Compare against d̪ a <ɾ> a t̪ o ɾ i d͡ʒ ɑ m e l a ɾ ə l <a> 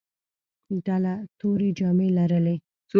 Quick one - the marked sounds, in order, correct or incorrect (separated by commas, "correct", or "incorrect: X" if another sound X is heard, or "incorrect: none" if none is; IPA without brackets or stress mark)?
incorrect: l, incorrect: e